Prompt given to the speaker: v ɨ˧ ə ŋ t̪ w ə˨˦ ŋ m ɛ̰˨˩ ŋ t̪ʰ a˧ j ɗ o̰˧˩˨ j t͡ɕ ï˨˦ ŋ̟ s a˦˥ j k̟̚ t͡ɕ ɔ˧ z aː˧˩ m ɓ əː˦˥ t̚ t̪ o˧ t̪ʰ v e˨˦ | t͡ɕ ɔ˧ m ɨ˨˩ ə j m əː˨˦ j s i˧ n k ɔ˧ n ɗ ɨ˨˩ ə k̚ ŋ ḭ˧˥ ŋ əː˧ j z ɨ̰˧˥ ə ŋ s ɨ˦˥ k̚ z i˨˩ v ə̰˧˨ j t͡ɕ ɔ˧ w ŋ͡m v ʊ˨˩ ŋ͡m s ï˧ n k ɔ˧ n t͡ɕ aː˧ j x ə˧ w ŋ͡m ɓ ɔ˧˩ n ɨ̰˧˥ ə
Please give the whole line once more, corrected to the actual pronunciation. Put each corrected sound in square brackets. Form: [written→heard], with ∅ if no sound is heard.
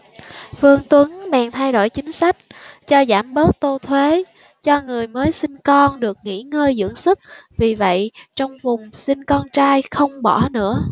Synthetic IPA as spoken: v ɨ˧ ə ŋ t̪ w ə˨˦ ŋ m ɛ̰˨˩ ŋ t̪ʰ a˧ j ɗ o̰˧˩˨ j t͡ɕ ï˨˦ ŋ̟ s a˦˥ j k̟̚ t͡ɕ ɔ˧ z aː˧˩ m ɓ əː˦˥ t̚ t̪ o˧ t̪ʰ [v→w] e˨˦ | t͡ɕ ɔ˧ [m→ŋ] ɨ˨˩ ə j m əː˨˦ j s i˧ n k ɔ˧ n ɗ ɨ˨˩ ə k̚ ŋ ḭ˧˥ ŋ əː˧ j z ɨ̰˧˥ ə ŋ s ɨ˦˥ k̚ [z→v] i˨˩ v ə̰˧˨ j t͡ɕ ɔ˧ w ŋ͡m v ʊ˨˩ ŋ͡m s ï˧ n k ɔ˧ n t͡ɕ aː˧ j x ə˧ w ŋ͡m ɓ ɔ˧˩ n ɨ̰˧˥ ə